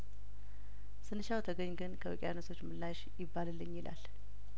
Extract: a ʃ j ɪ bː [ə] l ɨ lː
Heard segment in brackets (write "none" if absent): a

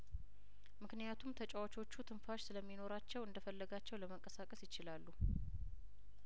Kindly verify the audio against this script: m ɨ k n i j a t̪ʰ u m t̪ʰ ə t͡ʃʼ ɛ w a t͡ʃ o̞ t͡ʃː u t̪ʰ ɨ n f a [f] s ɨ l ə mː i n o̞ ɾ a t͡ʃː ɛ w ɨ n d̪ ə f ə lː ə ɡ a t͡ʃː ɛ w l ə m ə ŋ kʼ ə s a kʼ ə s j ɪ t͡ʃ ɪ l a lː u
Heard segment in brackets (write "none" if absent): ʃ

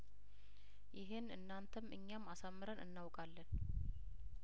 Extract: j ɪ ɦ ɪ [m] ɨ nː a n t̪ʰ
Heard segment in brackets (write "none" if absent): n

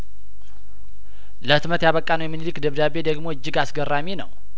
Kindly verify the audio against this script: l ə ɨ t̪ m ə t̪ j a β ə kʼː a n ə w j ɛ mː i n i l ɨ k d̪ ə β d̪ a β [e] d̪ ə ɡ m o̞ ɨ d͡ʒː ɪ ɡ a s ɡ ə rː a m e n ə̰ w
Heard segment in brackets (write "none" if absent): e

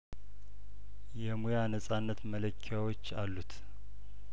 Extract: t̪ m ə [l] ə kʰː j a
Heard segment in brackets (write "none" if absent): l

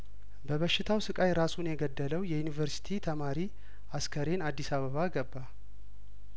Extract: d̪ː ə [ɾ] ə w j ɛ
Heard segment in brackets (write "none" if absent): l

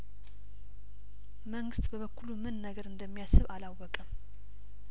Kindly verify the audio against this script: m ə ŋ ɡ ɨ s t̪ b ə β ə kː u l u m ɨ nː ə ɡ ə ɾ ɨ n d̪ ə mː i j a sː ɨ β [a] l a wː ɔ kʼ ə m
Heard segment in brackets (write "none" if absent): a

